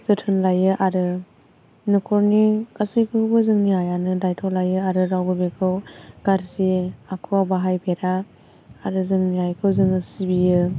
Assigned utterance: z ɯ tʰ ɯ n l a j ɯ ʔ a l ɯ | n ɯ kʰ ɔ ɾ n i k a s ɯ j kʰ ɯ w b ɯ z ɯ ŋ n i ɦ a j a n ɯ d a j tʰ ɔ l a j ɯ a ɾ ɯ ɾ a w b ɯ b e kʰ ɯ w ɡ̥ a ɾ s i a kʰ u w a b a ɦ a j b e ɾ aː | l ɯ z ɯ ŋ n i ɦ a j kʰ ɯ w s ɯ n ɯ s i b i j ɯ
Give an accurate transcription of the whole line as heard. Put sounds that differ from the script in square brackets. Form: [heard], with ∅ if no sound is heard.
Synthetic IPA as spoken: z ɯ tʰ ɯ n l a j ɯ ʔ a [ɾ] ɯ | n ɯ kʰ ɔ ɾ n i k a s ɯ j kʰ ɯ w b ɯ z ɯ ŋ n i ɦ a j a n ɯ d a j tʰ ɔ l a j ɯ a ɾ ɯ ɾ a w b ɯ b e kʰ ɯ w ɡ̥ a ɾ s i a kʰ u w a b a ɦ a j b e ɾ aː | [ɾ] ɯ z ɯ ŋ n i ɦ a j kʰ ɯ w [z] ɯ [ŋ] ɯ s i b i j ɯ

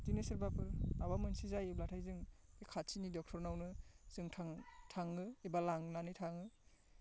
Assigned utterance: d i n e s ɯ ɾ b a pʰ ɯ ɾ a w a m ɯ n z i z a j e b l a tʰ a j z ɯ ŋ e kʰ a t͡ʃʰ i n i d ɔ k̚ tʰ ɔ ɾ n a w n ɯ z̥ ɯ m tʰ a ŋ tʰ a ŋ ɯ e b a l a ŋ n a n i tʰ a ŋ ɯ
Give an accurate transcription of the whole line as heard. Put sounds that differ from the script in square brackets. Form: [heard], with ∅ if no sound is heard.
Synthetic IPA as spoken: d i n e s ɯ ɾ b a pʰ ɯ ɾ a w a m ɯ n [s] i z a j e b l a tʰ a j z ɯ ŋ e kʰ a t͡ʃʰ i n i d ɔ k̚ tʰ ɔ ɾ n a w n ɯ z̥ ɯ [ŋ] tʰ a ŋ tʰ a ŋ ɯ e b a l a ŋ n a n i tʰ a ŋ ɯ

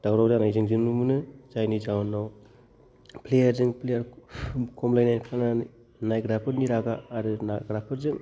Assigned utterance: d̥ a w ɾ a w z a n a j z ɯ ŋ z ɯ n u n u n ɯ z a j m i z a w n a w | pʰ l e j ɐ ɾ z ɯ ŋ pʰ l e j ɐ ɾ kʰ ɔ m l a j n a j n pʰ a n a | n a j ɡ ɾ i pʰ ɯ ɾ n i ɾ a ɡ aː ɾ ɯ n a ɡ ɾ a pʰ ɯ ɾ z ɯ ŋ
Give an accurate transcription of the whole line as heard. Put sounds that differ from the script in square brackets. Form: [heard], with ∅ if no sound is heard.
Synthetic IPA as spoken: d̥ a w ɾ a w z a n a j z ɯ ŋ z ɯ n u [m] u n ɯ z a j [n] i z a w n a w | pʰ l e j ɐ ɾ z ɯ ŋ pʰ l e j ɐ ɾ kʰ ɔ m l a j n a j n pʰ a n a | n a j ɡ ɾ [a] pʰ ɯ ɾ n i ɾ a ɡ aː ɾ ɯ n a ɡ ɾ a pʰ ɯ ɾ z ɯ ŋ

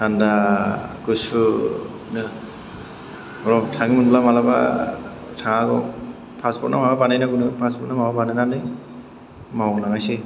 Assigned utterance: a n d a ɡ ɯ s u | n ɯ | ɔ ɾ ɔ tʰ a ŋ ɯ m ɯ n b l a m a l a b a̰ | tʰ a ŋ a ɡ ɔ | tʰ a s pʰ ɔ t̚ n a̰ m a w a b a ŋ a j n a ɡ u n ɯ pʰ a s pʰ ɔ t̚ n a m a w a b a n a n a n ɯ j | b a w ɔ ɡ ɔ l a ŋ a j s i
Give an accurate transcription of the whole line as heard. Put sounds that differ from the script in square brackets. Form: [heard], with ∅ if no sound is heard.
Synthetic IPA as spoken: a n d a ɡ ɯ s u | n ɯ | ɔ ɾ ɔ tʰ a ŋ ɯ m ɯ n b l a m a l a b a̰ | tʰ a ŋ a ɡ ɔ | [pʰ] a s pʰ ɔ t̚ n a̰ m a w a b a [n] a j n a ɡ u n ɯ pʰ a s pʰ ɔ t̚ n a m a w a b a n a n a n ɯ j | [m] a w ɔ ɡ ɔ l a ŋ a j s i

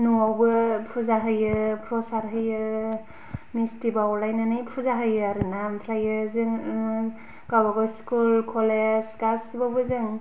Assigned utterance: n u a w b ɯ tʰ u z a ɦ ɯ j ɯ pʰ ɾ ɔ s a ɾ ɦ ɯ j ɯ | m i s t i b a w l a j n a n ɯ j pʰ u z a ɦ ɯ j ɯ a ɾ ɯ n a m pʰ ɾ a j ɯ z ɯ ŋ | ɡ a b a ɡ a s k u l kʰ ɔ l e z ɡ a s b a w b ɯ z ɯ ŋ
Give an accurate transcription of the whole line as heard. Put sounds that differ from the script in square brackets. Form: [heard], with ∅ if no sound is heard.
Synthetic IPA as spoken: n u a w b ɯ [pʰ] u z a ɦ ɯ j ɯ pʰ ɾ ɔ s a ɾ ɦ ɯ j ɯ | m i s t i b a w l a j n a n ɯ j pʰ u z a ɦ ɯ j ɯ a ɾ ɯ n a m pʰ ɾ a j ɯ z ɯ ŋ | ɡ a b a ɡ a s k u l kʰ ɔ l e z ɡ a s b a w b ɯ z ɯ ŋ

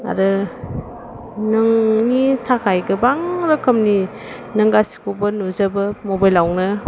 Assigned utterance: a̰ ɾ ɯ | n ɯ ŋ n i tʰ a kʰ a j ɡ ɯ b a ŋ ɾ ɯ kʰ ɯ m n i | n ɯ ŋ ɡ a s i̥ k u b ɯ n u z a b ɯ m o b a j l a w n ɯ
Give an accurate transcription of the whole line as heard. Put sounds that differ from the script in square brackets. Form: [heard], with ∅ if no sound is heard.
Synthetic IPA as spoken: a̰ ɾ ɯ | n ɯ ŋ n i tʰ a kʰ a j ɡ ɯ b a ŋ ɾ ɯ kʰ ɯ m n i | n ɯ ŋ ɡ a s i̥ k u b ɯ n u z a b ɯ m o b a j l a w n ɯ

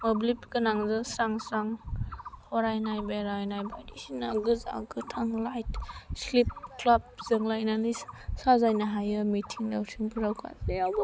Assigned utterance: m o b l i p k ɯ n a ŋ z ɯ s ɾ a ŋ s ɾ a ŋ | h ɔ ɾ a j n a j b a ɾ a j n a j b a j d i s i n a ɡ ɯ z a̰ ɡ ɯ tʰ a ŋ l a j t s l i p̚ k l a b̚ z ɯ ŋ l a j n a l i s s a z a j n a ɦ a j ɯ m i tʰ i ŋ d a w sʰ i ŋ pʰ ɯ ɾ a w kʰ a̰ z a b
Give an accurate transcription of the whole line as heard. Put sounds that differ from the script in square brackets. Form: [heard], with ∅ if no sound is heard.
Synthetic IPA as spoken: m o b l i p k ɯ n a ŋ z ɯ s ɾ a ŋ s ɾ a ŋ | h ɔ ɾ a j n a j b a ɾ a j n a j b a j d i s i n a ɡ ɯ z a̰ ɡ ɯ tʰ a ŋ l a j t s l i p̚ k l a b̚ z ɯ ŋ l a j n a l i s s a z a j n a ɦ a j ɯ m i tʰ i ŋ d a w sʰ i ŋ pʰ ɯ ɾ a w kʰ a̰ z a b

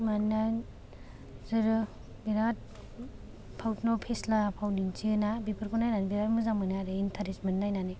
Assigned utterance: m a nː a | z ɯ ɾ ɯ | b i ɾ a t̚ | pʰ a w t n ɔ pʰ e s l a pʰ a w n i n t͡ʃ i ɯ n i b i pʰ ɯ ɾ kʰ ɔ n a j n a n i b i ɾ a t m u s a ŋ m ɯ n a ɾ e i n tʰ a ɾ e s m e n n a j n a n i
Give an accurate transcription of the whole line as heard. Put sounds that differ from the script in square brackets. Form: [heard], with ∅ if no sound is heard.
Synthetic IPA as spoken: m a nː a | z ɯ ɾ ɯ | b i ɾ a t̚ | pʰ a w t n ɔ pʰ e s l a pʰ a w n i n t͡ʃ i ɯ n [a] b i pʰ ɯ ɾ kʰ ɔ n a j n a n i b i ɾ a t m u [z] a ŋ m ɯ n a ɾ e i n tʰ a ɾ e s m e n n a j n a n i

